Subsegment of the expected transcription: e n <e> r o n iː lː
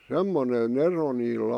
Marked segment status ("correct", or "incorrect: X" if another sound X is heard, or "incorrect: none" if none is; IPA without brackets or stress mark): correct